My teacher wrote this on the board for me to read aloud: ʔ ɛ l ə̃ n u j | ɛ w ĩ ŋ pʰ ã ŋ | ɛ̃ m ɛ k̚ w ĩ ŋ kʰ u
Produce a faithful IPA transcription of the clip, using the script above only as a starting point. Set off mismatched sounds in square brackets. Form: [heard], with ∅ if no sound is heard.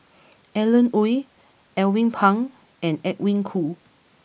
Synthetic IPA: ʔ ɛ l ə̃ n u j | ɛ w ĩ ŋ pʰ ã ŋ | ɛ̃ [n] ɛ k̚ w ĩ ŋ kʰ u

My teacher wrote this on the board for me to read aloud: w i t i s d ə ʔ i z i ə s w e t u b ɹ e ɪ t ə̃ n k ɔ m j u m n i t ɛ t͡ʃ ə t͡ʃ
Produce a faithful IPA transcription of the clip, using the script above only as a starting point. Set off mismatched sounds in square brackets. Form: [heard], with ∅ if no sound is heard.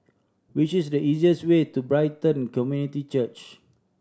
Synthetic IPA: w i [t͡ʃ] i s d ə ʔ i z i ə s w e t u b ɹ [a] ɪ t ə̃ n k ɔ m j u [∅] n i t [i] t͡ʃ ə t͡ʃ

